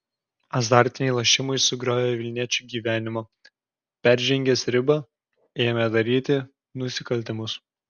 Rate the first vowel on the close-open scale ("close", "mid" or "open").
open